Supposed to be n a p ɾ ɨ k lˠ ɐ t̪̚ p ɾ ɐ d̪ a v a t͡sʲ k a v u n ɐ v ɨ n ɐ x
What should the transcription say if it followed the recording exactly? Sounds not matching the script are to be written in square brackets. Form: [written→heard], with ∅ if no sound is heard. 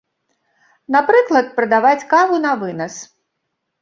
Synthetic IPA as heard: n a p ɾ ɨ k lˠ ɐ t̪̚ p ɾ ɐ d̪ a v a t͡sʲ k a v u n ɐ v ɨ n ɐ [x→s]